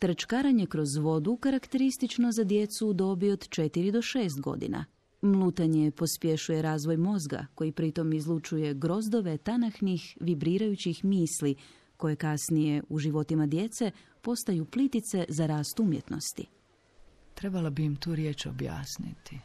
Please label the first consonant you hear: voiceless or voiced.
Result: voiceless